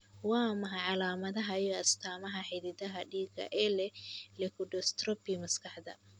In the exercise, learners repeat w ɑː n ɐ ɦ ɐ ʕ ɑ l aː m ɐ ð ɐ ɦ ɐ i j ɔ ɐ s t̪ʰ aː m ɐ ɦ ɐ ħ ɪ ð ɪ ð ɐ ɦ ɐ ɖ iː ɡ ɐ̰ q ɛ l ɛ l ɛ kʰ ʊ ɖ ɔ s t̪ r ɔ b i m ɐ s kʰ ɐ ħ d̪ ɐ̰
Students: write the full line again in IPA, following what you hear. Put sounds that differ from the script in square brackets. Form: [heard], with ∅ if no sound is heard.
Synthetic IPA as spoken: w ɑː [m] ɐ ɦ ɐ ʕ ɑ l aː m ɐ ð ɐ ɦ ɐ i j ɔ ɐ s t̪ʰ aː m ɐ ɦ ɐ ħ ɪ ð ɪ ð ɐ ɦ ɐ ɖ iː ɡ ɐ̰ [ʔ] ɛ l ɛ l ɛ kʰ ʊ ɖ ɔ s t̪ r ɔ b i m ɐ s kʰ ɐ ħ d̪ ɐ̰